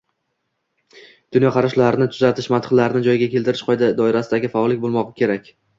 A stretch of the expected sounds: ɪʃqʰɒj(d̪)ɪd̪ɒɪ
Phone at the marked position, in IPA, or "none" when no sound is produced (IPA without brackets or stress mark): d̪